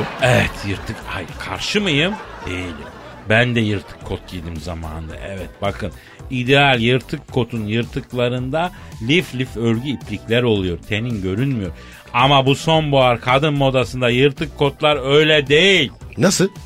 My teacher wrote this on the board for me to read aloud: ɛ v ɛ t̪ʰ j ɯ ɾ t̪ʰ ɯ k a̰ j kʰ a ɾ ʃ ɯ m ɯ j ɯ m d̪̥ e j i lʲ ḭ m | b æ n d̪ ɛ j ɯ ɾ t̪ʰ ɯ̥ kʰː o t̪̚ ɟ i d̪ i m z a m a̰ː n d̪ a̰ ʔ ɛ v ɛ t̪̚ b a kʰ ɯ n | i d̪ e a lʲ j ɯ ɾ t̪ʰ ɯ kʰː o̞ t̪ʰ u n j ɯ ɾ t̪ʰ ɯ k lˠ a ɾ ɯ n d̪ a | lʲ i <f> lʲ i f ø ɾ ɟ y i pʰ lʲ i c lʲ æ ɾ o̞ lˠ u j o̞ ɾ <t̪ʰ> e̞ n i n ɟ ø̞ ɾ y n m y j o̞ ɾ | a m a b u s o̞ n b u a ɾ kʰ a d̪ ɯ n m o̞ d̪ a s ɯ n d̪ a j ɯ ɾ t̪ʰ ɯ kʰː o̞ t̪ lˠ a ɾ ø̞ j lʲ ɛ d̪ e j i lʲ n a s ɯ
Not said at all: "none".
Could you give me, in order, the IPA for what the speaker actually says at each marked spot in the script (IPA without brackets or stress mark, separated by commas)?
f, t̪ʰ